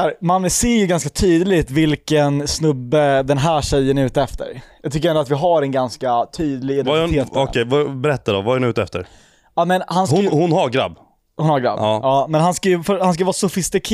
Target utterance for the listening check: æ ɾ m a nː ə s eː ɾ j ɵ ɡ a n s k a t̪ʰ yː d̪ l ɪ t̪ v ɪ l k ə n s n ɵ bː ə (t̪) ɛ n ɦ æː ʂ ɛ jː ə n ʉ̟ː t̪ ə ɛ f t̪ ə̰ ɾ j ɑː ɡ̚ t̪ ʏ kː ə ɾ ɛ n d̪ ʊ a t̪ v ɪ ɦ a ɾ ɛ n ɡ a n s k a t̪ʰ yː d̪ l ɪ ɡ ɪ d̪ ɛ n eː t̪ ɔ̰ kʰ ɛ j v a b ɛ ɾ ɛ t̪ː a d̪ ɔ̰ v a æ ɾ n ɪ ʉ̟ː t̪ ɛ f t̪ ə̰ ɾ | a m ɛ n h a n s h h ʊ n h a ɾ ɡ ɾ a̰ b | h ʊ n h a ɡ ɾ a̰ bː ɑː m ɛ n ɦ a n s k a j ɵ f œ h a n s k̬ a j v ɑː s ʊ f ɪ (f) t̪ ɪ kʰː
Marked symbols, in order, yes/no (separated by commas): no, no